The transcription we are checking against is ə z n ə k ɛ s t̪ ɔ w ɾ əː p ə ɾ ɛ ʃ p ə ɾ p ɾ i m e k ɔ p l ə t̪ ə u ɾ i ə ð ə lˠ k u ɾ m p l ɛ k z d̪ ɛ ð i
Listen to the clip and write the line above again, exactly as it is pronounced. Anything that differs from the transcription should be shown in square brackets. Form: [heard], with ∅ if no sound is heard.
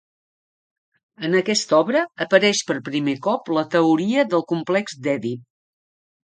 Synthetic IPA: ə [∅] n ə k ɛ s t̪ ɔ [β] ɾ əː p ə ɾ ɛ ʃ p ə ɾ p ɾ i m e k ɔ p l ə t̪ ə u ɾ i ə ð ə lˠ k u [∅] m p l ɛ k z d̪ ɛ ð i